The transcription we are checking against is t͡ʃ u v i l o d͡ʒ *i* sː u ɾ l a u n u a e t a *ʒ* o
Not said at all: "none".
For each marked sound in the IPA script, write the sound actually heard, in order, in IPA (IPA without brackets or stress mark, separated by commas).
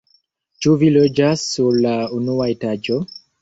a, d͡ʒ